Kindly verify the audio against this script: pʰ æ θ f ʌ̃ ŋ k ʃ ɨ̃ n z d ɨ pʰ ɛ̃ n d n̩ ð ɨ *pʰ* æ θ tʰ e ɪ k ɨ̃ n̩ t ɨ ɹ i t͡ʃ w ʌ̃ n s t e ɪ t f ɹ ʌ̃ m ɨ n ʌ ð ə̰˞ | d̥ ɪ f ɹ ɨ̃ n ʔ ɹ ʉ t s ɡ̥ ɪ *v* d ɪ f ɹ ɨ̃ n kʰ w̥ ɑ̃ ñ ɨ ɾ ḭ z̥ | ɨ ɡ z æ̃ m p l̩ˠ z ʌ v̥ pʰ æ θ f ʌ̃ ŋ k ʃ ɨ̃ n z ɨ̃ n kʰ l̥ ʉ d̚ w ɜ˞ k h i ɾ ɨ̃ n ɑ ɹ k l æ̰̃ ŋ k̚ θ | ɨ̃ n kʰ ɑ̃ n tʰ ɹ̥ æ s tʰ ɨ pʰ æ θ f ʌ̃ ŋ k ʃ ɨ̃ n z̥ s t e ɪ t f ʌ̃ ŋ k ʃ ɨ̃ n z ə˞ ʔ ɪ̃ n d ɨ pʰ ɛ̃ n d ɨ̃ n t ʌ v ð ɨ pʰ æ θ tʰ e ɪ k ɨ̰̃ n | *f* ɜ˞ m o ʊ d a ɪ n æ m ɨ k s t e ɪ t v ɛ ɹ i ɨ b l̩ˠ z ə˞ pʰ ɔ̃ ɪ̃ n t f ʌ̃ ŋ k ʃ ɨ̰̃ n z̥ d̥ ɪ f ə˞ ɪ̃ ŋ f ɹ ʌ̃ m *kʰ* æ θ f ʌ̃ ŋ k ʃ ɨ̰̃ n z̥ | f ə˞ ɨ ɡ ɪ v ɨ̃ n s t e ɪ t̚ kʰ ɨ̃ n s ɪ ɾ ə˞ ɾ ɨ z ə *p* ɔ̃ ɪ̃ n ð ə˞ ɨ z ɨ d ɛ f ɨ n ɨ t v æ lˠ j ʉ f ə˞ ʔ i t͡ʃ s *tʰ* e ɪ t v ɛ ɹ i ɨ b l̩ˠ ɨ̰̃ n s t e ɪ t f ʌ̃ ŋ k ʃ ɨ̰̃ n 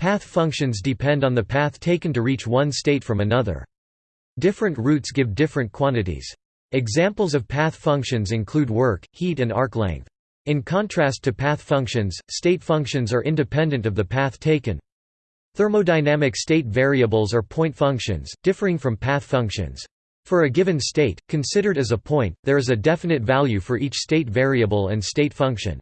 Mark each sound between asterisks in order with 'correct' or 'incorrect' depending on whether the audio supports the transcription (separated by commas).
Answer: correct, correct, incorrect, incorrect, incorrect, incorrect